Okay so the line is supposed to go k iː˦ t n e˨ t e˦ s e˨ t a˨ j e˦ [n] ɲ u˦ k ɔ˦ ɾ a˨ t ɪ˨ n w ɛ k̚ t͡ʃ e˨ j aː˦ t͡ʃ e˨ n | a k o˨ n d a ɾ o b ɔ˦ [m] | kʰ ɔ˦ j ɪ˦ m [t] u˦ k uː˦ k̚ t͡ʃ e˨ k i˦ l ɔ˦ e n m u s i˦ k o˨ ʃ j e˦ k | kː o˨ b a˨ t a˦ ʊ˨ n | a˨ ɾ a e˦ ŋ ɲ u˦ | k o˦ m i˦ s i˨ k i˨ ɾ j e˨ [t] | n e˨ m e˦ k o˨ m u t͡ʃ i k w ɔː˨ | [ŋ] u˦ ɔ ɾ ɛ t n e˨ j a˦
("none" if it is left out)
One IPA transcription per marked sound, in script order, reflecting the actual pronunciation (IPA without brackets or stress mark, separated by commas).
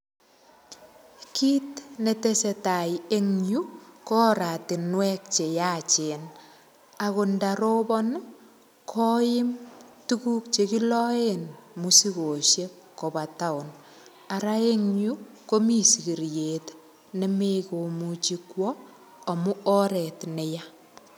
ŋ, n, t, t, m